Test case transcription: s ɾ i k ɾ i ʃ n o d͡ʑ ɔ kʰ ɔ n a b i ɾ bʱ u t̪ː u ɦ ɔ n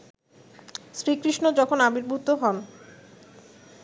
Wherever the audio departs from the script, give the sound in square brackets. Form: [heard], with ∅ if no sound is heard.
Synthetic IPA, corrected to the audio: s ɾ i k ɾ i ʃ n o d͡ʑ ɔ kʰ [o] n a b i ɾ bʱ u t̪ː [o] ɦ ɔ n